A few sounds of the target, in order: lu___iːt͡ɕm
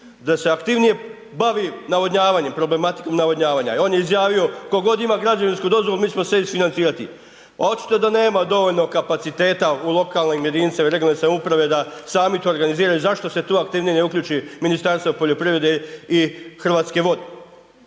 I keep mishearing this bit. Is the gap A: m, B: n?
A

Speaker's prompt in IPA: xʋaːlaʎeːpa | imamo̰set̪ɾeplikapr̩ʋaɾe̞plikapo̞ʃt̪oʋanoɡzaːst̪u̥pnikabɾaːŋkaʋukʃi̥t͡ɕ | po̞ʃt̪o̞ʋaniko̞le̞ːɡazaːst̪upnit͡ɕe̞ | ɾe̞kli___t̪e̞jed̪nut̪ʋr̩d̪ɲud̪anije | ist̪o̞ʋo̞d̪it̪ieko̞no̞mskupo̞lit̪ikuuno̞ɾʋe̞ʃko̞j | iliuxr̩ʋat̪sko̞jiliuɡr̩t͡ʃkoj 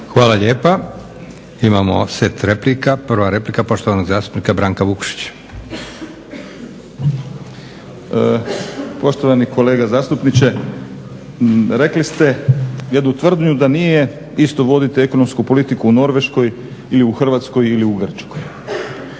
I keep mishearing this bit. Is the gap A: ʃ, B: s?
B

